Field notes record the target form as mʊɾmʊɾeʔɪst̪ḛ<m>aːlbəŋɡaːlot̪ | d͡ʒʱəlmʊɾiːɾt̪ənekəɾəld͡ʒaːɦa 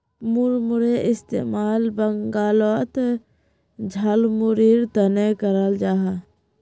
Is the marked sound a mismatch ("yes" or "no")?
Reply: no